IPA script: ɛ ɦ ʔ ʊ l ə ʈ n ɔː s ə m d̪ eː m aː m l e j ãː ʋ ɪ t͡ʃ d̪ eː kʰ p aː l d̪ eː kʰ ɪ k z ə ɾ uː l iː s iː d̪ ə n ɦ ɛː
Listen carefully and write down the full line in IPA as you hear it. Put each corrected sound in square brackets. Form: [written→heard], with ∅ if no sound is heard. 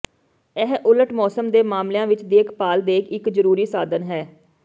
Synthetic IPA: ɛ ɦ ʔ ʊ l ə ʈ [n→m] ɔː s ə m d̪ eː m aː m l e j ãː ʋ ɪ t͡ʃ d̪ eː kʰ p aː l d̪ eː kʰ ɪ k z ə ɾ uː [l→ɾ] iː s [iː→aː] d̪ ə n ɦ ɛː